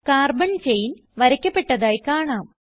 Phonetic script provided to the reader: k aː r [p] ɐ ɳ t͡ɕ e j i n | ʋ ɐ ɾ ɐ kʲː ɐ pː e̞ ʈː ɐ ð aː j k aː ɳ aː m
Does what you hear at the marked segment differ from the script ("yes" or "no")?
yes